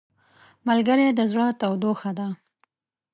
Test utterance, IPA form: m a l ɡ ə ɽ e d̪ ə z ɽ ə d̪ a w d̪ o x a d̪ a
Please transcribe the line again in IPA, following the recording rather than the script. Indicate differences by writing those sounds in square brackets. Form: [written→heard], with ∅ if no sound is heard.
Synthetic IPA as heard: m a l ɡ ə [ɽ→ɾ] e d̪ ə z ɽ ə [d̪→t̪] a w d̪ o x a d̪ a